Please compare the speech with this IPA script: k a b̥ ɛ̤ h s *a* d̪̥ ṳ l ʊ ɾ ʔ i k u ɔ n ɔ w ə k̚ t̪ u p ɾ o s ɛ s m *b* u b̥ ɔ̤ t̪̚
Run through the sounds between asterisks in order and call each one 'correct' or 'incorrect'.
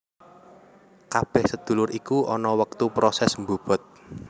incorrect: ə, correct

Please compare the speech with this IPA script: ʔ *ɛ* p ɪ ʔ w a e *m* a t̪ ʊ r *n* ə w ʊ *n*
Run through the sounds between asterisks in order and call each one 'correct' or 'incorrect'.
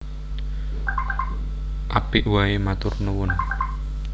incorrect: a, correct, correct, correct

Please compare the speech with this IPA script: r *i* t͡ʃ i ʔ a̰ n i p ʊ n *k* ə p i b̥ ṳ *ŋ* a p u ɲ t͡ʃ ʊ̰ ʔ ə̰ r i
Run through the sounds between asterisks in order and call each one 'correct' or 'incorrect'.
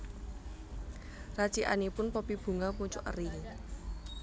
incorrect: a, incorrect: p, correct

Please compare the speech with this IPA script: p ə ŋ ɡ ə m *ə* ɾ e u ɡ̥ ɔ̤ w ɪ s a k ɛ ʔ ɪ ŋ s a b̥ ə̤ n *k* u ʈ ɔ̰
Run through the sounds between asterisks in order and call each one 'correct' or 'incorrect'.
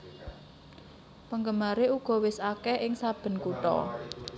incorrect: a, correct

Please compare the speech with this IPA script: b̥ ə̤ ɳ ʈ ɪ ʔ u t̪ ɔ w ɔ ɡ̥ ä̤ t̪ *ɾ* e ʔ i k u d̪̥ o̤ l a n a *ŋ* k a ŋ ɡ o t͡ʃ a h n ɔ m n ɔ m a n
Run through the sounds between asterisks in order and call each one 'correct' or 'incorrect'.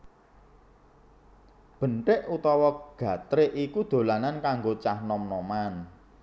correct, incorrect: n

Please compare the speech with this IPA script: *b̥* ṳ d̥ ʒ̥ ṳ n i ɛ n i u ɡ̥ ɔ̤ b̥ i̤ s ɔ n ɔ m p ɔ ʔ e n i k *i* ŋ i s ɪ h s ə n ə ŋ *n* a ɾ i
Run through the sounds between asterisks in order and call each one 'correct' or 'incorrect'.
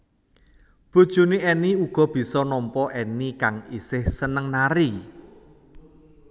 correct, incorrect: a, correct

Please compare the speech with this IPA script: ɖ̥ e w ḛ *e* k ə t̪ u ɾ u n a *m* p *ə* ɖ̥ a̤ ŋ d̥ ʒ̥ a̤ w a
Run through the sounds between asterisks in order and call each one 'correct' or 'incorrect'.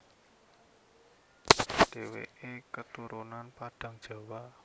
correct, incorrect: n, incorrect: a

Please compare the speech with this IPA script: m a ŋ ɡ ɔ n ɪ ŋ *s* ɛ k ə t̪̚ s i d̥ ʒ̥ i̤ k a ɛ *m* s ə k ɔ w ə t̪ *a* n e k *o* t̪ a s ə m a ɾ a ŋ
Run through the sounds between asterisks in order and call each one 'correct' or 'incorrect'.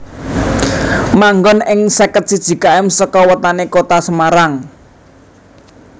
correct, correct, correct, correct

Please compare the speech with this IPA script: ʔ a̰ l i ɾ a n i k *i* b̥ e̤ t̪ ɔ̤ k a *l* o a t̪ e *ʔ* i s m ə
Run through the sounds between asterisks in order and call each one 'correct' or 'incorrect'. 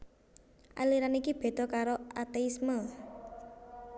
correct, incorrect: ɾ, incorrect: none

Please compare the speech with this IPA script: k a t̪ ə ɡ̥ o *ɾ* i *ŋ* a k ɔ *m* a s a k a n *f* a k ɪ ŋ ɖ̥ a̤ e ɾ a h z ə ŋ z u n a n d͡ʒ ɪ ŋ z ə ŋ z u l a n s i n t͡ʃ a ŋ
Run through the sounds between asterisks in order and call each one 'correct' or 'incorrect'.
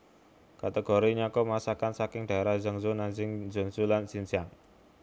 correct, incorrect: ɲ, correct, incorrect: s

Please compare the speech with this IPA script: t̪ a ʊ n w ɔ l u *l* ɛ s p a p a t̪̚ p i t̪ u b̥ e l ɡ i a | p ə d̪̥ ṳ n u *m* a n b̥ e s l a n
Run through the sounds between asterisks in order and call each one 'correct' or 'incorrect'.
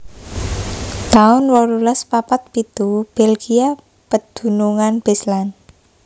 correct, incorrect: ŋ

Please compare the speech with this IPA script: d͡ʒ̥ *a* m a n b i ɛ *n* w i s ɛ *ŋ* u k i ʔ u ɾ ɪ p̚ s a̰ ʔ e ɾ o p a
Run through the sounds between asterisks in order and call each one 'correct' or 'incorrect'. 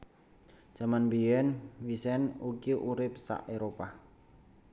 correct, correct, incorrect: n

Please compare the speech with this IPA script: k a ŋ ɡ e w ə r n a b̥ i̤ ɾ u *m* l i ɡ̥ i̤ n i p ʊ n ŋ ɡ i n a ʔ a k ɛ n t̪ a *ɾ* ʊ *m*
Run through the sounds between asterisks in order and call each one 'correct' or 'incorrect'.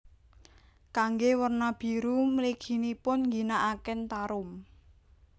correct, correct, correct

